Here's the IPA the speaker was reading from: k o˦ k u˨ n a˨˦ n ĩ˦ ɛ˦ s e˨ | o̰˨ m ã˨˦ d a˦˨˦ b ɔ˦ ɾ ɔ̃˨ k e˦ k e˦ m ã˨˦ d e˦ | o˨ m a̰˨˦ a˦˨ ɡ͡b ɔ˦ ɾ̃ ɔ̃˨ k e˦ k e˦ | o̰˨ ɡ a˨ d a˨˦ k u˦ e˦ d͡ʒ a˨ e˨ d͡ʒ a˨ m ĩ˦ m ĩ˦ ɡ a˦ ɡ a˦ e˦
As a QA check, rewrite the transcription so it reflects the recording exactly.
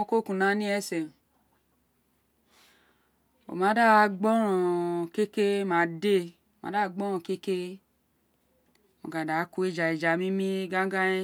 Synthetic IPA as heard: k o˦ k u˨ n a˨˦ n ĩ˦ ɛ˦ s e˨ | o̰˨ m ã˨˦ d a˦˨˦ ɡ͡b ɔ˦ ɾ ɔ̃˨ k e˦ k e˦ m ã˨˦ d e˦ | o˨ m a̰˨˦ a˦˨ ɡ͡b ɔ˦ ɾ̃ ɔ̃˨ k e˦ k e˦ | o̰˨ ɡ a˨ d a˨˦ k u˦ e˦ d͡ʒ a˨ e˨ d͡ʒ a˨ m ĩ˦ m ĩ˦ ɡ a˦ ɡ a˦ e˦